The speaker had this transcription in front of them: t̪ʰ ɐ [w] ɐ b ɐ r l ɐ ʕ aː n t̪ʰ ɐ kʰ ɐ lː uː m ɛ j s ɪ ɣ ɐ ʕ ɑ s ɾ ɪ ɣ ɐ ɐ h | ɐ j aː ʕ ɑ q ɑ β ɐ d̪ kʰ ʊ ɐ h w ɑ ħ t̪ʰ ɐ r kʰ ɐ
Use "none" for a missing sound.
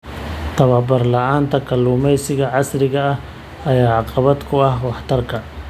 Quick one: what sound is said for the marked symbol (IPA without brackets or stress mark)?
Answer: β